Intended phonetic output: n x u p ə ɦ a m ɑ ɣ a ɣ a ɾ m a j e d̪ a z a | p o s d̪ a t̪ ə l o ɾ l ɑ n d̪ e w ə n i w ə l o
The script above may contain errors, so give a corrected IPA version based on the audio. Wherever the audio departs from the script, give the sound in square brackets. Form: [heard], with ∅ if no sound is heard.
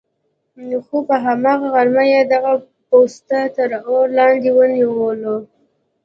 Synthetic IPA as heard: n x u p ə ɦ a m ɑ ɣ a ɣ a ɾ m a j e d̪ a [ɣ] a | p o s [t̪] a t̪ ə [ɾ] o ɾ l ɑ n d̪ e w ə n i w ə l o